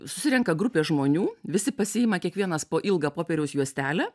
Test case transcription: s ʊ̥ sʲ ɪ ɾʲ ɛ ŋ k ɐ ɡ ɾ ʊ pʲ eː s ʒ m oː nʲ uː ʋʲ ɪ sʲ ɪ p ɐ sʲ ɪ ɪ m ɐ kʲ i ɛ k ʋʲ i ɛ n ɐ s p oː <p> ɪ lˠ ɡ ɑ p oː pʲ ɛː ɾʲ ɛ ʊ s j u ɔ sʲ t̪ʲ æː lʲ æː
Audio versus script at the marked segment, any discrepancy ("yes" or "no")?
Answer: yes